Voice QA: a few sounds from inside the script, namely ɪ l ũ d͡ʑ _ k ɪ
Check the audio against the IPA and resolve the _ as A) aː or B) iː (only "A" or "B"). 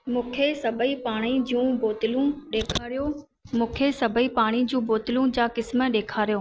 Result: A